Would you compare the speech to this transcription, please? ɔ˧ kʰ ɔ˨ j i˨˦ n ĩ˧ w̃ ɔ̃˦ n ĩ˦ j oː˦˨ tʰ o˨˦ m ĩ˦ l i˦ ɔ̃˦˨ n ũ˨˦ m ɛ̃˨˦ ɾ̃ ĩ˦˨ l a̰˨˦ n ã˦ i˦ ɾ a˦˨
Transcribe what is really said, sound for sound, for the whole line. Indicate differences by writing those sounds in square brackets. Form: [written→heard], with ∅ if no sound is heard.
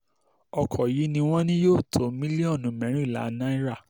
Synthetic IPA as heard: ɔ˧ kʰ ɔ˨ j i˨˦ n ĩ˧ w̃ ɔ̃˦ n ĩ˦ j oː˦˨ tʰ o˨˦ m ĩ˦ l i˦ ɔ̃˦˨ n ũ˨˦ m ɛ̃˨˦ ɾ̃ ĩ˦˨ l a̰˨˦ n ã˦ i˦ ɾ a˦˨

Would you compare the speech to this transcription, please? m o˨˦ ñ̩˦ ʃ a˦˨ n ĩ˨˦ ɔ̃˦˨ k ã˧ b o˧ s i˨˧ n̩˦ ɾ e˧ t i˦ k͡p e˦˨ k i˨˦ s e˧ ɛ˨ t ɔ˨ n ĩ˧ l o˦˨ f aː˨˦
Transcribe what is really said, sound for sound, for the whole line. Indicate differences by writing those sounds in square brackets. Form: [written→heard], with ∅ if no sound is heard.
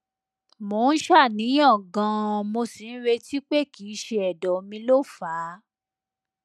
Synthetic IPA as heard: m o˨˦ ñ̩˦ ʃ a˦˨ n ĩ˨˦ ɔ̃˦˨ [k→ɡ] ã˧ [b→m] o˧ s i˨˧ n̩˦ ɾ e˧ t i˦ k͡p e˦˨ k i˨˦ [s→ʃ] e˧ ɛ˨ [t→d] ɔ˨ [n→m] ĩ˧ l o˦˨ f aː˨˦

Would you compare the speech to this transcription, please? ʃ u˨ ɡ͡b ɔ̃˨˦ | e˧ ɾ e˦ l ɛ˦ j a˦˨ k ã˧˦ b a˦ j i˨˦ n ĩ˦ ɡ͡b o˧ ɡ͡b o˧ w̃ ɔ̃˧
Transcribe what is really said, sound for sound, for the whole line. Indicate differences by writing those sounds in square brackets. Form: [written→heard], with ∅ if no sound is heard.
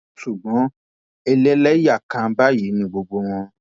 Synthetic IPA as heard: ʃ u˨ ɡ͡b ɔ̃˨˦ | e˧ [ɾ→l] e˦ l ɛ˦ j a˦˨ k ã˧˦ b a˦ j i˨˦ n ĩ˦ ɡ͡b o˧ ɡ͡b o˧ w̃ ɔ̃˧

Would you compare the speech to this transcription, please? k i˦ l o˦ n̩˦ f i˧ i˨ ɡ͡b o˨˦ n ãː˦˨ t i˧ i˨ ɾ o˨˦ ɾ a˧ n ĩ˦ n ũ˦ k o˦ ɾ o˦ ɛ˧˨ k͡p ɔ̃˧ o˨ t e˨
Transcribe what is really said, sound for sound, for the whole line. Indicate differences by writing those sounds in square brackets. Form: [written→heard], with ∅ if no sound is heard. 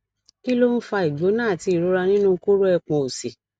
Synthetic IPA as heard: k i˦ l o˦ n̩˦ f [i˧→a˧] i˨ ɡ͡b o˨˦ n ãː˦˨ t i˧ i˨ ɾ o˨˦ ɾ a˧ n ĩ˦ n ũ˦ k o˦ ɾ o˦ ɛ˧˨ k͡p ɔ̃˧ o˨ [t→s] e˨

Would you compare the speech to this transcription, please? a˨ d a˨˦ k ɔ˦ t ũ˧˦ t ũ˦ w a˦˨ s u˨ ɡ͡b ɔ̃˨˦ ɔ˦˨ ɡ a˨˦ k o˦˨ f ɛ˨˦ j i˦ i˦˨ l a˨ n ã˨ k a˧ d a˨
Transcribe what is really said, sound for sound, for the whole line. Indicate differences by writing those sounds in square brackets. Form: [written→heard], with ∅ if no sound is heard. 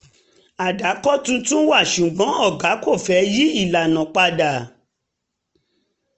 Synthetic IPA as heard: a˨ d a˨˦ k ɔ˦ t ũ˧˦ t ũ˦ w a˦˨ [s→ʃ] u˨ ɡ͡b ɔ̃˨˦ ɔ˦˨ ɡ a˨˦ k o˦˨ f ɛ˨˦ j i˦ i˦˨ l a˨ n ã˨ [k→k͡p] a˧ d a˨

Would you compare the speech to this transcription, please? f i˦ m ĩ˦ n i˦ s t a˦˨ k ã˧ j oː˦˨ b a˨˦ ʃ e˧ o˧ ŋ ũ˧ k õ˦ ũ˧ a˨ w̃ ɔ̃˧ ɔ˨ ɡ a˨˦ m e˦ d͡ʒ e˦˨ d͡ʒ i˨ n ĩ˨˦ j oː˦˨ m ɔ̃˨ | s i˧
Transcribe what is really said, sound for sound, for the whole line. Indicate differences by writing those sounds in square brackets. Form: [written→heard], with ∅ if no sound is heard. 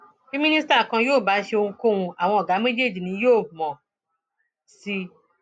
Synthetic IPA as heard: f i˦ m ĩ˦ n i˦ s t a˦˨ k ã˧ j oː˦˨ b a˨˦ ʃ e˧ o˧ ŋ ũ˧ k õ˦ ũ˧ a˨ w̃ ɔ̃˧ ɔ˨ ɡ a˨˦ m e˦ d͡ʒ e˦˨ d͡ʒ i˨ n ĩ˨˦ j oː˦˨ m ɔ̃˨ | s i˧

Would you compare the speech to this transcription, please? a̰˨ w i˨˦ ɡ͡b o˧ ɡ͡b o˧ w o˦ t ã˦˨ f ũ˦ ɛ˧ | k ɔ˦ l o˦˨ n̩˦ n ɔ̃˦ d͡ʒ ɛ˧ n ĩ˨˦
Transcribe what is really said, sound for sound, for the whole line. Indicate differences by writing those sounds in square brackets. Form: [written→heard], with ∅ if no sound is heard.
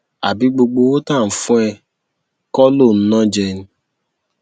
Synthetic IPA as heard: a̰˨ [w→b] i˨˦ ɡ͡b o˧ ɡ͡b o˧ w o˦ t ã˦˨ f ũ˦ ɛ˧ | k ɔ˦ l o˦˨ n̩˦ n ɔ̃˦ d͡ʒ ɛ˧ n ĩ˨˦

